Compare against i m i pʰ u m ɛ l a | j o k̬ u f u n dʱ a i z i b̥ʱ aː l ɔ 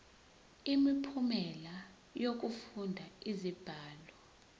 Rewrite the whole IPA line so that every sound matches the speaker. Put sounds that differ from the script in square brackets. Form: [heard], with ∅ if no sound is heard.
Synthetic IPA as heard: i m i pʰ u m ɛ l a | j o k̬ u f u n dʱ a i z i b̥ʱ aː l ɔ

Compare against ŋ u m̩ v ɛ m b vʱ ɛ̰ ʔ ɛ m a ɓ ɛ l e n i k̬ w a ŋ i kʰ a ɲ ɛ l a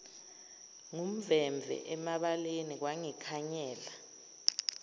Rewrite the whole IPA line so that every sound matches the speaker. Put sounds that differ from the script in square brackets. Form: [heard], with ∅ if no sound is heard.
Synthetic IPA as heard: ŋ u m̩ v ɛ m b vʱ ɛ̰ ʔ ɛ m a ɓ [a] l e n i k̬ w a ŋ i kʰ a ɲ [ɛː] l a

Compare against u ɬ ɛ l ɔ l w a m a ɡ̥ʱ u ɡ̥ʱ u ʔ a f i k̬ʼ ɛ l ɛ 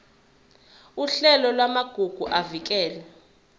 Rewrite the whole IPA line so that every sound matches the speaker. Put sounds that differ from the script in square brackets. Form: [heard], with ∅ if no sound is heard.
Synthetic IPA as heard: u ɬ ɛ l ɔ l w a m a ɡ̥ʱ u ɡ̥ʱ u ʔ a [v] i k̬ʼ [ɛː] l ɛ

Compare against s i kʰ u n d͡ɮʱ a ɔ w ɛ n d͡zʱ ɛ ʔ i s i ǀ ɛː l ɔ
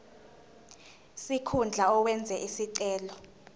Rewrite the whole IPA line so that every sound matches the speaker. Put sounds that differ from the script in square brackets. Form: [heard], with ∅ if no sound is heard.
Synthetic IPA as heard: s i kʰ u n d͡ɮʱ a ɔ w ɛ n d͡zʱ ɛ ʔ i s i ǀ ɛː l ɔ

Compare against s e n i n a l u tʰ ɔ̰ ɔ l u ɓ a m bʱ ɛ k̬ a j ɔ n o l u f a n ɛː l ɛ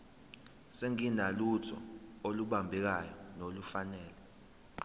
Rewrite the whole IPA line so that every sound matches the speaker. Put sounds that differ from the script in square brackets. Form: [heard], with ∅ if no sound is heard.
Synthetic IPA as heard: s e [ŋ] i n a l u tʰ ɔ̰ [o] l u ɓ a m bʱ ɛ k̬ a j ɔ n o l u f a n ɛː l ɛ

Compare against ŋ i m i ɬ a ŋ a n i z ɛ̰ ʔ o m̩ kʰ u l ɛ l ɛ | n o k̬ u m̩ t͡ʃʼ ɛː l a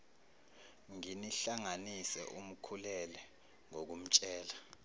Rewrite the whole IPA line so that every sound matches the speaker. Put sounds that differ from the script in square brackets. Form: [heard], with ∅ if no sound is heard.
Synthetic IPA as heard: ŋ i [n] i ɬ a ŋ a n i [s] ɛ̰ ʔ [u] m̩ kʰ u l ɛ l ɛ | [ŋ] o k̬ u m̩ t͡ʃʼ ɛː l a

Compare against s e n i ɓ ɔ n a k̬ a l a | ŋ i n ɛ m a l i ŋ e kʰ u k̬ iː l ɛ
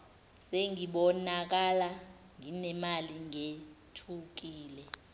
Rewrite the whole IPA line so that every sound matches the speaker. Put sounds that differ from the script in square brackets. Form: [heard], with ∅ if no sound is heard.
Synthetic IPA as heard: s e [ŋ] i ɓ ɔ n a k̬ a l a | ŋ i n ɛ m a l i ŋ e [tʰ] u k̬ iː l ɛ

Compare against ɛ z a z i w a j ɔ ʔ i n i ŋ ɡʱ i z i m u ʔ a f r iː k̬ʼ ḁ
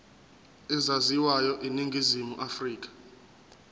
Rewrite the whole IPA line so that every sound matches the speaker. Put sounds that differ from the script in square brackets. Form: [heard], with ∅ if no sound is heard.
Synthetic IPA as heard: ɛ z a z i w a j ɔ ʔ i n i ŋ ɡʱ i z i m u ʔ a f r iː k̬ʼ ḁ

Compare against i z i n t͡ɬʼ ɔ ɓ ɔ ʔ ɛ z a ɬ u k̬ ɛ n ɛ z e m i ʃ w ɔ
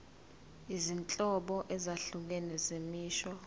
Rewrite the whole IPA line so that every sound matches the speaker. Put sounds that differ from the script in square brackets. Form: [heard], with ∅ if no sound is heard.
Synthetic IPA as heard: i z i n t͡ɬʼ ɔ ɓ ɔ ʔ ɛ z a ɬ u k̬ ɛ n ɛ z e m [iː] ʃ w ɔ

